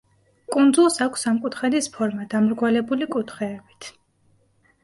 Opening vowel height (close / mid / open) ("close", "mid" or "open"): close